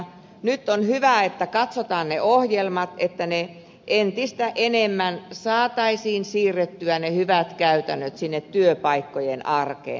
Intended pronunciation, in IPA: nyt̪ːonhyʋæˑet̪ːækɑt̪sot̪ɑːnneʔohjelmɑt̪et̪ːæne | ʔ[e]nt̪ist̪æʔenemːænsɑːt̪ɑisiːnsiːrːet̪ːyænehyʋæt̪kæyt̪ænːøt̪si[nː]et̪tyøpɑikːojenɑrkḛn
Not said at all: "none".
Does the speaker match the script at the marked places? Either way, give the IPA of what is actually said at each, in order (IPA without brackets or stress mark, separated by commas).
e, nː